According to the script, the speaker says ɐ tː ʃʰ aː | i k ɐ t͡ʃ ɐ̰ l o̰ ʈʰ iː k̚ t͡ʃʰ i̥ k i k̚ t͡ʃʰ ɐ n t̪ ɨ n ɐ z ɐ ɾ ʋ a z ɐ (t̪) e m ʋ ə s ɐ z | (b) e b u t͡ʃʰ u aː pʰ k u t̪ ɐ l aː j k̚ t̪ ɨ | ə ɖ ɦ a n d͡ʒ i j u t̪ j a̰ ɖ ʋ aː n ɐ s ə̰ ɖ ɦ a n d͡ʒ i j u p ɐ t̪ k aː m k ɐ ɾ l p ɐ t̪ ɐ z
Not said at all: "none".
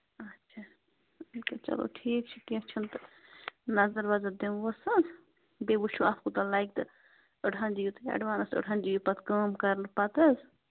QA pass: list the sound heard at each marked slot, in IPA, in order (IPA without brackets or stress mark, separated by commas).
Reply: d̪, b